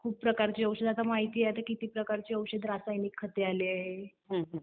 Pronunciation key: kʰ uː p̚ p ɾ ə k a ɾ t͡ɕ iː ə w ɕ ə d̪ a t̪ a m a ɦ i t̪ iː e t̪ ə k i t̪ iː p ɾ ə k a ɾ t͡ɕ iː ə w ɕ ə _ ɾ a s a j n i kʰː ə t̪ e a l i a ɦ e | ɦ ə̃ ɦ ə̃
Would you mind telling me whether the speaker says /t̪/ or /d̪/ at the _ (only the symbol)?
d̪